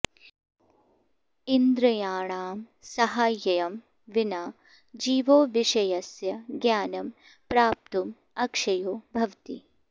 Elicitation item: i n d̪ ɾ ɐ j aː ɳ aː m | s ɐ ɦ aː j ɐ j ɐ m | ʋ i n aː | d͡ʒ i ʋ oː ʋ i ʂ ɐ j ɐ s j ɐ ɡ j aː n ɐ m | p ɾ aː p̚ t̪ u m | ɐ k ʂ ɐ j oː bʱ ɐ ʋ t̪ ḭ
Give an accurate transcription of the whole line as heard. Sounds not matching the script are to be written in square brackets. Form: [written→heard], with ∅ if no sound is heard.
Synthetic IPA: i n d̪ ɾ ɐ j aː ɳ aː m | s ɐ ɦ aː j ɐ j ɐ m | ʋ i n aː | d͡ʒ [i→iː] ʋ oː ʋ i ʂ ɐ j ɐ s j ɐ ɡ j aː n ɐ m | p ɾ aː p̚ t̪ u m | ɐ k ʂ ɐ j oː bʱ ɐ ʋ t̪ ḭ